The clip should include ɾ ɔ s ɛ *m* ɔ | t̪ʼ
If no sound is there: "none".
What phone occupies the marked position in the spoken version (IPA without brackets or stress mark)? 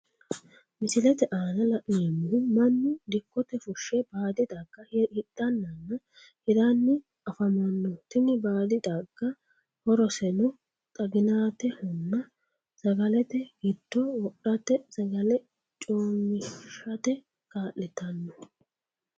n